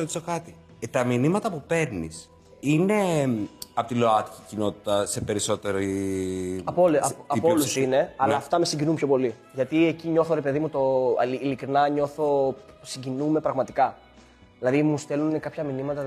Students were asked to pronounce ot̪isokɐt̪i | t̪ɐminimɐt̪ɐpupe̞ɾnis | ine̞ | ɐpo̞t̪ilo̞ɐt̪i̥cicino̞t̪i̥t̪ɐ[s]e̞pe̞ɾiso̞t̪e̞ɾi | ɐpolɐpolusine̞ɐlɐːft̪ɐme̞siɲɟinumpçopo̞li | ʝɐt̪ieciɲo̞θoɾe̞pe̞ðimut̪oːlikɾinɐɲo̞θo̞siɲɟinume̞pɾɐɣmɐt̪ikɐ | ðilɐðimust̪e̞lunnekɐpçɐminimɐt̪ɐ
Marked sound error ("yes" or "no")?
no